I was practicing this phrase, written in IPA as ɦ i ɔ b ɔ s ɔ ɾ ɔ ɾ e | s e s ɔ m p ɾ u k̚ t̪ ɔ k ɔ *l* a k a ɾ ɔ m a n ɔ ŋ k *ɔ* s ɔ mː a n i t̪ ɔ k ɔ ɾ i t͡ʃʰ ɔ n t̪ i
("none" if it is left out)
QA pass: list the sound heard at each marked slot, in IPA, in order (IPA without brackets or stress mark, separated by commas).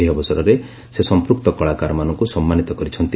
ɭ, u